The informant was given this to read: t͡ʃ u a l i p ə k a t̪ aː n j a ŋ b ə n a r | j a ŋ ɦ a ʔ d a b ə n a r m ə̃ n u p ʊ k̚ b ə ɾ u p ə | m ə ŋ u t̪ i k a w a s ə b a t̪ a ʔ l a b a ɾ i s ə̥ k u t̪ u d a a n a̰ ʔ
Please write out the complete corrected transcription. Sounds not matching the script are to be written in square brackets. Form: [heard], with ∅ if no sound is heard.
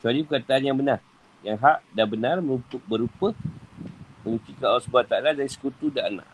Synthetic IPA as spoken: t͡ʃ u a l i p ə k a t̪ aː n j a ŋ b ə n a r | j a ŋ ɦ a ʔ d a b ə n a r m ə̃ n u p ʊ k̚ b ə ɾ u p ə | m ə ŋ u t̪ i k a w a s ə b a t̪ a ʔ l a [d] a ɾ i s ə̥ k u t̪ u d a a n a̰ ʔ